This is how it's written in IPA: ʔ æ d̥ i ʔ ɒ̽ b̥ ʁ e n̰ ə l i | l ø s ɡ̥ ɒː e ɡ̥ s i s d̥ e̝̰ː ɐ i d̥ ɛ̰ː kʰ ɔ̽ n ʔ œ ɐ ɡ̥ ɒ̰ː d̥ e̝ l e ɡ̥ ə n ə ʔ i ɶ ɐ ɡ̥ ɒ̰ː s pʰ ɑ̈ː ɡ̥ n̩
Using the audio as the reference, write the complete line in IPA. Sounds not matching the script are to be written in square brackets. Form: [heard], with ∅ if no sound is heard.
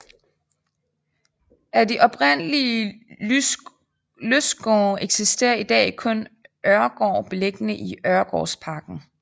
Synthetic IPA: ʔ æ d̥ i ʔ ɒ̽ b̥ ʁ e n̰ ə l i | l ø s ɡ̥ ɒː e ɡ̥ s i s d̥ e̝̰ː ɐ i d̥ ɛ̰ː kʰ ɔ̽ n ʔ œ ɐ ɡ̥ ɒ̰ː [b̥] e̝ l e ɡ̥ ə n ə ʔ i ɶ ɐ ɡ̥ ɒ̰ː s pʰ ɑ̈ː ɡ̥ n̩